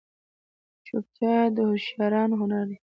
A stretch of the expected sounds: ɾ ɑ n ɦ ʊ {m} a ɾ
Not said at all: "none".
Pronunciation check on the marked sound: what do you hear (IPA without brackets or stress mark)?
n